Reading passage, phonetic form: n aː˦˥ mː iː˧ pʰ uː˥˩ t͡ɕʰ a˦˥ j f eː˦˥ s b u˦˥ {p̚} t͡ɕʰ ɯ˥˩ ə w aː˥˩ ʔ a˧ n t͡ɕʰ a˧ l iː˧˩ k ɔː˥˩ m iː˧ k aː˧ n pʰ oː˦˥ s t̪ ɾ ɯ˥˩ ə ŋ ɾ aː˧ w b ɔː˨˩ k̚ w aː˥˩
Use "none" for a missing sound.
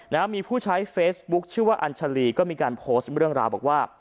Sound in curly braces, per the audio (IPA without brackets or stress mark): k̚